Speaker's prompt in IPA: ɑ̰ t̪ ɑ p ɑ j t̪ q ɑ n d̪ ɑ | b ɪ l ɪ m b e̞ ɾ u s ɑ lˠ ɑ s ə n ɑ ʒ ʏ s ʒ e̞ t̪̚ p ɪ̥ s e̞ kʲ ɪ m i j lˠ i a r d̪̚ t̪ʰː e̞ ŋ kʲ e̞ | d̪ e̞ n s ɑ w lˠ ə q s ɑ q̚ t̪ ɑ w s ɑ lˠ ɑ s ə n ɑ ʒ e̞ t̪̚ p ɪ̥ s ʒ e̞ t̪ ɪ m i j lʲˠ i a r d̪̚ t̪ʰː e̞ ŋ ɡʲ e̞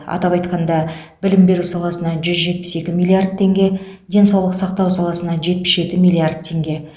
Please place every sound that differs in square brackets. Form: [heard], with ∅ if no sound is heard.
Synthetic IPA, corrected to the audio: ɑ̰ t̪ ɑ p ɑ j t̪ q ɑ n d̪ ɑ | b ɪ l ɪ m b e̞ ɾ u s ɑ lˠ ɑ s ə n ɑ ʒ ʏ [z] ʒ e̞ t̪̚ p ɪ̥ s e̞ kʲ ɪ m i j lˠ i a r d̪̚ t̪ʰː e̞ ŋ [ɡʲ] e̞ | d̪ e̞ n s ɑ w lˠ ə q s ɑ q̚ t̪ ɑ w s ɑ lˠ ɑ s ə n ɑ ʒ e̞ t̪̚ p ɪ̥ s ʒ e̞ t̪ ɪ m i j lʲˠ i a r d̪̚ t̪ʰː e̞ ŋ ɡʲ e̞